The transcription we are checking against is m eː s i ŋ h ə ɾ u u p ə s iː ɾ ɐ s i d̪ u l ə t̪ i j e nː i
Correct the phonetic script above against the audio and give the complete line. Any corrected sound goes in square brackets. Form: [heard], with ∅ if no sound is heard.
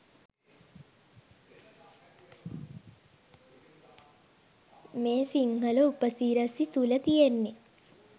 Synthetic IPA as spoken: m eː s i ŋ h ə [l] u u p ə s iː ɾ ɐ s i [t̪] u l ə t̪ i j e nː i